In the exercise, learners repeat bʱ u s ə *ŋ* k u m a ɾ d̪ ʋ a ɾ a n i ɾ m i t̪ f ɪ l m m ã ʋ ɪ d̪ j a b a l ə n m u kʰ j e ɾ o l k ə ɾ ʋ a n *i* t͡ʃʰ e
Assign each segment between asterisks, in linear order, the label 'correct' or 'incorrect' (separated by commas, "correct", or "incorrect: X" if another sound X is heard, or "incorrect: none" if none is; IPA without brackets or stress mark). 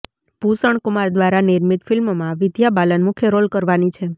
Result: incorrect: ɳ, correct